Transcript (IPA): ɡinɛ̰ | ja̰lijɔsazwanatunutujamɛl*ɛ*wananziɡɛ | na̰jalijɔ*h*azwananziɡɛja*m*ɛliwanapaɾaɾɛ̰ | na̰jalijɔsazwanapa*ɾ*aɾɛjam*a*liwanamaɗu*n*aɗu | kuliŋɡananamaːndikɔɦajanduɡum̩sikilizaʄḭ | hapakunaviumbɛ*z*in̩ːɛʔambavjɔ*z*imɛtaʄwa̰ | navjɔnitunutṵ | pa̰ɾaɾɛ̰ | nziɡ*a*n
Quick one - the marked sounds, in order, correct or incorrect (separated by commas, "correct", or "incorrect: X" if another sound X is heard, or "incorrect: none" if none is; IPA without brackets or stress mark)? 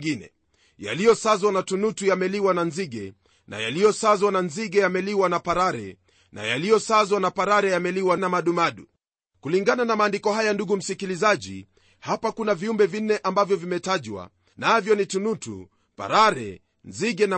incorrect: i, incorrect: s, correct, correct, incorrect: ɛ, incorrect: m, incorrect: v, incorrect: v, incorrect: ɛ